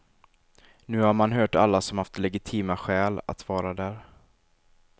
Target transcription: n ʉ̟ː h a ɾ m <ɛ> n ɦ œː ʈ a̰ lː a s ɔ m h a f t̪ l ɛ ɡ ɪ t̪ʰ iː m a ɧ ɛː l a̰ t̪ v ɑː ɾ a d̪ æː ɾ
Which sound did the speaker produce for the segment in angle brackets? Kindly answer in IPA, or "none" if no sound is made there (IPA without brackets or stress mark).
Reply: a